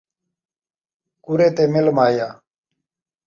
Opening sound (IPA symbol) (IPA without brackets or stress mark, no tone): k